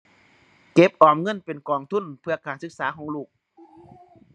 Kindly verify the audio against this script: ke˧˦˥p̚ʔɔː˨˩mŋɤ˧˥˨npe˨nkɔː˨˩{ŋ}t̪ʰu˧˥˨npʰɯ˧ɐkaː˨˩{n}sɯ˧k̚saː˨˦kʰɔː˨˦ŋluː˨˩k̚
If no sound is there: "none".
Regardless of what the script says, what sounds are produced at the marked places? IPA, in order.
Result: ŋ, n

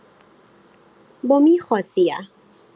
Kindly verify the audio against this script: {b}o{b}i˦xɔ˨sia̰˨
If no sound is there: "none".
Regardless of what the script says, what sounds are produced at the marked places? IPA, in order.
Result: b, m

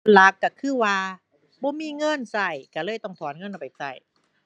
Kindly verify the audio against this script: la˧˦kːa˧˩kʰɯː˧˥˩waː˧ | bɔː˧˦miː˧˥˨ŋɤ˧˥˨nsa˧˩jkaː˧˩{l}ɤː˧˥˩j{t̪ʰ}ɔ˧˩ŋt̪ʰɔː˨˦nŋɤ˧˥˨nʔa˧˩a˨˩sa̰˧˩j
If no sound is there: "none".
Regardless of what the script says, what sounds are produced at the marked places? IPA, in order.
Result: l, t̪

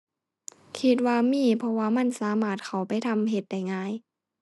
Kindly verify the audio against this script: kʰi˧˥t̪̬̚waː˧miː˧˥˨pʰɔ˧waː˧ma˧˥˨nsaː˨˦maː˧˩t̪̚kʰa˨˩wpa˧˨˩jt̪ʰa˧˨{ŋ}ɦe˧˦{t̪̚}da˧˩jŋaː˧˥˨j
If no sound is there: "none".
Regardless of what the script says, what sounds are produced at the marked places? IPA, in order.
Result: m, t̪̚

